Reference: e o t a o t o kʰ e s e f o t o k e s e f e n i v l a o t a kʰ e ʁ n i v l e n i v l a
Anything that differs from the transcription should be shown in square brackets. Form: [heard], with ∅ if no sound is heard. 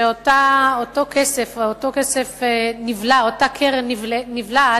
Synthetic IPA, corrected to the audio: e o t a o t o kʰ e s e f o t o k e s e f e n i v l a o t a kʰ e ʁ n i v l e n i v l a